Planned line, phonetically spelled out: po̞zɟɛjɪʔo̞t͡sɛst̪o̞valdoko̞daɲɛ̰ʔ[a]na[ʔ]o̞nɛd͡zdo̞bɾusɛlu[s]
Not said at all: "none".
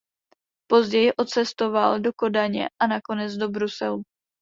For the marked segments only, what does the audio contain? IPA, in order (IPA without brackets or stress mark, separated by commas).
a, k, none